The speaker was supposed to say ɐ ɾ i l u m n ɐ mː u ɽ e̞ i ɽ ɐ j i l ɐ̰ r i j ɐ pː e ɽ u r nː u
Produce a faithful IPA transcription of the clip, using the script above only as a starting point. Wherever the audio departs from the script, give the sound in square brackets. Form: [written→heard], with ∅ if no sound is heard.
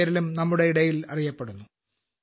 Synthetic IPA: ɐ ɾ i l u m n ɐ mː u ɽ e̞ i ɽ ɐ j i l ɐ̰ r i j ɐ pː e ɽ u [r→∅] nː u